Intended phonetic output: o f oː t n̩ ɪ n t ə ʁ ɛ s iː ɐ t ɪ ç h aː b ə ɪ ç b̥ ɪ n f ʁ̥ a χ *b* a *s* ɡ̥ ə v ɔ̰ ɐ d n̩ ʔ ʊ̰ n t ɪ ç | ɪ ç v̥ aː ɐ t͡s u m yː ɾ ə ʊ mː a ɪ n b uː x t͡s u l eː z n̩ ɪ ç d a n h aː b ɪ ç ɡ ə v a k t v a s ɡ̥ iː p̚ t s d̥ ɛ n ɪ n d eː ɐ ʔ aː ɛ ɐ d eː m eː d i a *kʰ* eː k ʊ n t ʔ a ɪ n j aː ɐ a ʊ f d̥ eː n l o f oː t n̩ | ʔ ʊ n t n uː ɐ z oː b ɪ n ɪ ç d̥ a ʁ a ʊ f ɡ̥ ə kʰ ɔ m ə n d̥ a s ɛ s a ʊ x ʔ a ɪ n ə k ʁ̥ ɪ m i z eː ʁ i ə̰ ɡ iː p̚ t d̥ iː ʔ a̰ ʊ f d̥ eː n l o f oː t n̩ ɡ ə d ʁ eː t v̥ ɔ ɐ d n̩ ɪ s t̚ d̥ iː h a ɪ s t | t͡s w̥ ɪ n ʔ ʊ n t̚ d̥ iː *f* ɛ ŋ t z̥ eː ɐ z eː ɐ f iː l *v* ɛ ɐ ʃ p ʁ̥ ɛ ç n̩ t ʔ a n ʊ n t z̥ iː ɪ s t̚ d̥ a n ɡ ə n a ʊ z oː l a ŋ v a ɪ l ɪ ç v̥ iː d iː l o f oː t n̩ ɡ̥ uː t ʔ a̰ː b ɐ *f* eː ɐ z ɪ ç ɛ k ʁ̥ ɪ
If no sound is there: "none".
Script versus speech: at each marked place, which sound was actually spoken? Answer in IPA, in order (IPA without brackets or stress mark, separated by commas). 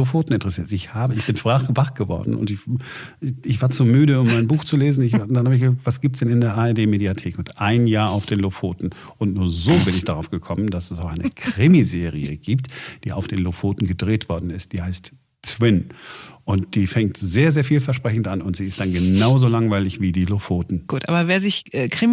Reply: v, χ, tʰ, f, f, v